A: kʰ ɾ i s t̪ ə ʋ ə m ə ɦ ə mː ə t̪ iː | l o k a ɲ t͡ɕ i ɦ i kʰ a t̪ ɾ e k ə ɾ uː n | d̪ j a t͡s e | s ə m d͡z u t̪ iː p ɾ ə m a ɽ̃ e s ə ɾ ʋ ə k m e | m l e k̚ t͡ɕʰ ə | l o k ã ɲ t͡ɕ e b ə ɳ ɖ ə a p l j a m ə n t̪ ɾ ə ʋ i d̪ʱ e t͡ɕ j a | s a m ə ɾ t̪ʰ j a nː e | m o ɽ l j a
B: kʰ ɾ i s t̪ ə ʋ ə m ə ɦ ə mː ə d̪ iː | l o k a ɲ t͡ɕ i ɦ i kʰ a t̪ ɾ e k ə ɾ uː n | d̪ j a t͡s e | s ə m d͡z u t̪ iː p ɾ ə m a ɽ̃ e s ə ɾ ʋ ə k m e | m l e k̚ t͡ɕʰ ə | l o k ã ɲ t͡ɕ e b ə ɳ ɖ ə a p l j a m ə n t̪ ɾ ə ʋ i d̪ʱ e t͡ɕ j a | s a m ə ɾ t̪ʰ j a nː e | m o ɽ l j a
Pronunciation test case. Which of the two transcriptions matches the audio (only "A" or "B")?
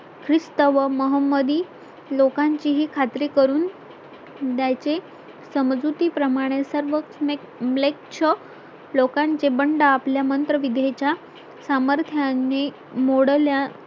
B